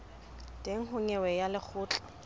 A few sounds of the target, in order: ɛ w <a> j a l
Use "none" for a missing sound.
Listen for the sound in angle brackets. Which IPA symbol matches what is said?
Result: ɛ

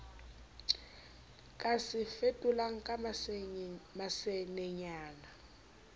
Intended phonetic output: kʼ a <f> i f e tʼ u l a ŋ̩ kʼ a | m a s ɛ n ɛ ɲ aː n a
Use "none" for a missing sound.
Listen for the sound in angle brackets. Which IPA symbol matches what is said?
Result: s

